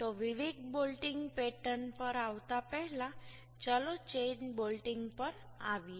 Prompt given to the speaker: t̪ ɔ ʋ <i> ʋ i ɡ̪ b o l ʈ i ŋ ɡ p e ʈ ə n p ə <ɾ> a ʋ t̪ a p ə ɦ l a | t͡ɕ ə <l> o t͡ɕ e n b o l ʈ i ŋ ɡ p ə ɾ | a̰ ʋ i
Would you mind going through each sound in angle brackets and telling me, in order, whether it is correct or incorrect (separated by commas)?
correct, correct, correct